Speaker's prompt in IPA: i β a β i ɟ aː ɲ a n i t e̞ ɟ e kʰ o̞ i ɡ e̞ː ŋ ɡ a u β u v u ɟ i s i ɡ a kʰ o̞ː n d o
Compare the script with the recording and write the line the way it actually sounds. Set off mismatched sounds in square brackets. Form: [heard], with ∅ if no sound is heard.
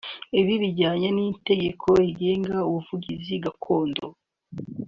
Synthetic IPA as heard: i β [i] β i ɟ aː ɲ a n i t e̞ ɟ e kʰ o̞ i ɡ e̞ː ŋ ɡ a u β u v u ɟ i [z] i ɡ a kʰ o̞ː n d o